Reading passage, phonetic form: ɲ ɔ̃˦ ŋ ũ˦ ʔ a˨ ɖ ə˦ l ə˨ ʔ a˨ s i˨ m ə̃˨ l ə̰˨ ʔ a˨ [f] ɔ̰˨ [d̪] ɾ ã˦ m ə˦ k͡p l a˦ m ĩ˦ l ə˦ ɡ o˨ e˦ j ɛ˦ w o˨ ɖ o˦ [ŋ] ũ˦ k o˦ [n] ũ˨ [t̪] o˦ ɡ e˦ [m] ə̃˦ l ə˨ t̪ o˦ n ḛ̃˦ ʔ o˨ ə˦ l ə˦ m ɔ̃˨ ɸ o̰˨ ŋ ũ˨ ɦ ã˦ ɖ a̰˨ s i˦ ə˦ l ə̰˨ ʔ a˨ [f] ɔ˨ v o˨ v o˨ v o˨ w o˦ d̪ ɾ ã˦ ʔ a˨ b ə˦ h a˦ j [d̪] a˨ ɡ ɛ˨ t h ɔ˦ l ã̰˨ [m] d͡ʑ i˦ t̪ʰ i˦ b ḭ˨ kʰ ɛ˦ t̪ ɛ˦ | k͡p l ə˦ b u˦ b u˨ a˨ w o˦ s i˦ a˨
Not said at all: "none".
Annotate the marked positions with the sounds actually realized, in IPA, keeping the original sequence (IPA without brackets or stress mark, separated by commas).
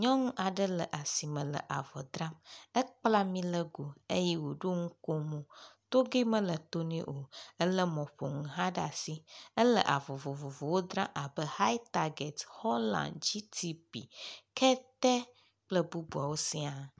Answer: v, d̪, ŋ, m, t̪, m, v, t̪, n